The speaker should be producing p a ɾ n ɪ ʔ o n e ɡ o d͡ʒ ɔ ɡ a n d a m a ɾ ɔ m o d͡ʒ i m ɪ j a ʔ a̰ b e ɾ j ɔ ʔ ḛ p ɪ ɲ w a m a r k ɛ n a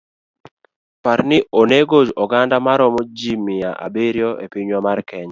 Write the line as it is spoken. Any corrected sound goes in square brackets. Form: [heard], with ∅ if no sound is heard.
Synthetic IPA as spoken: p a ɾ n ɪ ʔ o n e ɡ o d͡ʒ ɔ ɡ a n d a m a ɾ ɔ m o d͡ʒ i m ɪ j a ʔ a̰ b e ɾ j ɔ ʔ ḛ p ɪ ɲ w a m a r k ɛ [ɲ] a